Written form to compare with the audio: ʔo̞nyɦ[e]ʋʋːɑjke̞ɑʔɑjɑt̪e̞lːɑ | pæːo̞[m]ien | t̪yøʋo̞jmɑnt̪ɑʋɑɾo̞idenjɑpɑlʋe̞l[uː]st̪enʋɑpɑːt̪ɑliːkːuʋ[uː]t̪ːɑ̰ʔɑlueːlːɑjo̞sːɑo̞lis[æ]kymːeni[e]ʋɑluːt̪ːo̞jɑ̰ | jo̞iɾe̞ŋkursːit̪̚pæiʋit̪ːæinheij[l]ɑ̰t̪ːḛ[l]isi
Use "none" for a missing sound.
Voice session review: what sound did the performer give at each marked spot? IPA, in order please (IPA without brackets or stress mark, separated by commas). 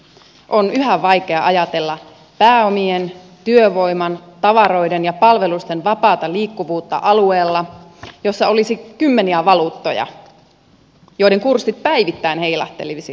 æ, m, u, uː, i, æ, l, l